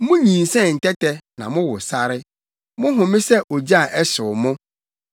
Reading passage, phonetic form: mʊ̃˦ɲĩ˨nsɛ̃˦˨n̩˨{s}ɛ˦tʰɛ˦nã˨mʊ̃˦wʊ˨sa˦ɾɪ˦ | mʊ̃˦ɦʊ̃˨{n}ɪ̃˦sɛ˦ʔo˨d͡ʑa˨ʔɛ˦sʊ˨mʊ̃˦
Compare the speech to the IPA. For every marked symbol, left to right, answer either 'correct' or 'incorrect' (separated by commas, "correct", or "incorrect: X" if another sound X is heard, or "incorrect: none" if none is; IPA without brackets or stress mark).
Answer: incorrect: t, incorrect: m